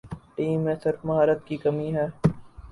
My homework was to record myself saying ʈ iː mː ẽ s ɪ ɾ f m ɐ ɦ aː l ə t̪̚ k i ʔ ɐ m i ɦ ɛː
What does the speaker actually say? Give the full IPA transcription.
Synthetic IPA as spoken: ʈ iː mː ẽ s ɪ ɾ f m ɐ ɦ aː ɾ ə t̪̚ k i k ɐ m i ɦ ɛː